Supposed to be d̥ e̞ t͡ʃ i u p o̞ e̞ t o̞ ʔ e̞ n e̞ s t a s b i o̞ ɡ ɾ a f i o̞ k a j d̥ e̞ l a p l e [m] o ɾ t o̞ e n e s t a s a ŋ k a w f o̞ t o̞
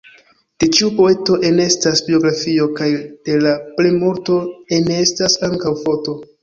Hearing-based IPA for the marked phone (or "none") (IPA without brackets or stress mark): m